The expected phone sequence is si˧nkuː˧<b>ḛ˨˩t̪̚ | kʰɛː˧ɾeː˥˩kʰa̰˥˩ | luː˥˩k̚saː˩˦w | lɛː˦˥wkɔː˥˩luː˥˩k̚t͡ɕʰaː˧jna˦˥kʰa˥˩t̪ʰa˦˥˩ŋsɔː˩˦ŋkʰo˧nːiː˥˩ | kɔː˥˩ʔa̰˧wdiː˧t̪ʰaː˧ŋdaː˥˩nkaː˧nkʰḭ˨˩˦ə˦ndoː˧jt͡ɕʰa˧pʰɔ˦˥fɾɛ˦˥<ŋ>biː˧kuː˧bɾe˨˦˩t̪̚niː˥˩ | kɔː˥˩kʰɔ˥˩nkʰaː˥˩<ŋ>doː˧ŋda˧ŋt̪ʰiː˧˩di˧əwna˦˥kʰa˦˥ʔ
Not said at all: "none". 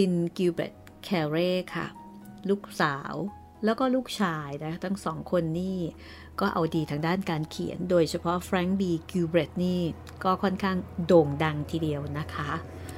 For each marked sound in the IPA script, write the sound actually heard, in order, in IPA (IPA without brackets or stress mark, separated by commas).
b, ŋ, ŋ